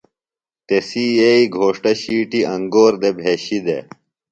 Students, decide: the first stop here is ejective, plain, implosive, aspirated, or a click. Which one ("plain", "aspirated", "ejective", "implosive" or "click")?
plain